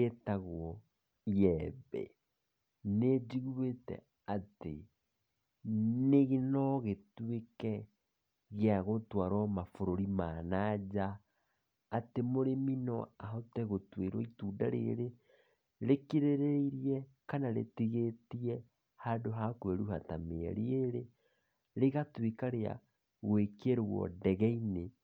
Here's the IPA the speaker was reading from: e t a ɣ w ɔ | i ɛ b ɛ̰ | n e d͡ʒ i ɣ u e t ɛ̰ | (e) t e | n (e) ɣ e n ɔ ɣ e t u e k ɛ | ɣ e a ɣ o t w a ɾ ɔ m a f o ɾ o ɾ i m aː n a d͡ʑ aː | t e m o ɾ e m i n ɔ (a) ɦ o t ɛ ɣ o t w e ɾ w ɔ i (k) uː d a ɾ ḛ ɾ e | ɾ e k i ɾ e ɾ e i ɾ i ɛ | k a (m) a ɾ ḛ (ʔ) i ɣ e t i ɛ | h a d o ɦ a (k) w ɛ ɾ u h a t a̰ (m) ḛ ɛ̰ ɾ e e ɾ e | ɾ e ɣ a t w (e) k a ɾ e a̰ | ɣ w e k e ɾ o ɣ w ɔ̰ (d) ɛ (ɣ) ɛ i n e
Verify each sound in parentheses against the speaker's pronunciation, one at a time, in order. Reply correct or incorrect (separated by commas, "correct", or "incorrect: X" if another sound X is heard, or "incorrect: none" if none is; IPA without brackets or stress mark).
incorrect: a, correct, correct, incorrect: t, incorrect: n, incorrect: t, correct, correct, correct, correct, correct